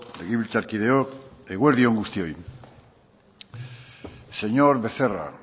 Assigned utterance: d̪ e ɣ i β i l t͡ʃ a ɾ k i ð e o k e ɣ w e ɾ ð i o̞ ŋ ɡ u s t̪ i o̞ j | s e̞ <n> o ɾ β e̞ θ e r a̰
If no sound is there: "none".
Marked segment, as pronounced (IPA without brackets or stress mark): ɲ